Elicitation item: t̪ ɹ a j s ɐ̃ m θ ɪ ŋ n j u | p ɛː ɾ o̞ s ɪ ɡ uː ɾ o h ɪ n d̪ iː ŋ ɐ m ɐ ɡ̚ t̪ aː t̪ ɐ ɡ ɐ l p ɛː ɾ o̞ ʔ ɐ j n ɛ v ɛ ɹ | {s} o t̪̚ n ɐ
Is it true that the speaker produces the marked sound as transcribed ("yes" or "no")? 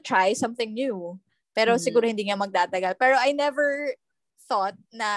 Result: no